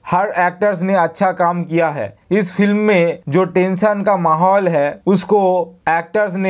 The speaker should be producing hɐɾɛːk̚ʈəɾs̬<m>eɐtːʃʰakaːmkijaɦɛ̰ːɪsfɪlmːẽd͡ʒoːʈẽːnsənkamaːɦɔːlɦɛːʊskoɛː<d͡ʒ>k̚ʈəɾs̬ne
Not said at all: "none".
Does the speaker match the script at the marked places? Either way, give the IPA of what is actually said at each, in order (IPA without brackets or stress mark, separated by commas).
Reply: n, none